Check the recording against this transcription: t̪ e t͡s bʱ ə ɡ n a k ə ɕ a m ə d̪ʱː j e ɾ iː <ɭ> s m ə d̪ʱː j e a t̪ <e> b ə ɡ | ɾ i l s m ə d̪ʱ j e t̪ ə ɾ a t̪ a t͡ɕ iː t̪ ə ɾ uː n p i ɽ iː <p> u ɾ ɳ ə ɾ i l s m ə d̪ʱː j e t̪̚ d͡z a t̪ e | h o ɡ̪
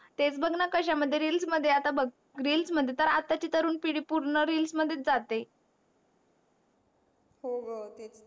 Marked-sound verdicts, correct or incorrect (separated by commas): incorrect, incorrect, correct